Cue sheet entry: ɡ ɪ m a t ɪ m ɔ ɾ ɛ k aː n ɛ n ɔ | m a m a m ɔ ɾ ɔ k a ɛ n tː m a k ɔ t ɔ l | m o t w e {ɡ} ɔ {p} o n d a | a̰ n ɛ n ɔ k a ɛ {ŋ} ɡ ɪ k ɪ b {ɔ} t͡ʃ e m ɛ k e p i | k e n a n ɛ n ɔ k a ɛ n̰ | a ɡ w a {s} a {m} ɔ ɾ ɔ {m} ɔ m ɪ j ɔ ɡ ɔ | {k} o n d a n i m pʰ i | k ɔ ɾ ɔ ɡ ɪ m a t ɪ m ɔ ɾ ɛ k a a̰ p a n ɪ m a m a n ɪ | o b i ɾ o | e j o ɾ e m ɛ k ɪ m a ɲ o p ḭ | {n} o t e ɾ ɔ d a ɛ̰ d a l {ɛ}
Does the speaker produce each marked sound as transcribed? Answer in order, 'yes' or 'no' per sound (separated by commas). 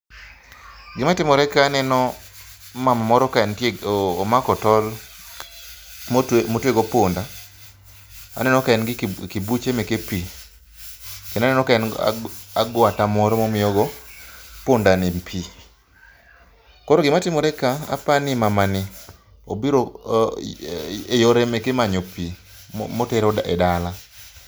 yes, yes, no, no, no, yes, yes, no, no, no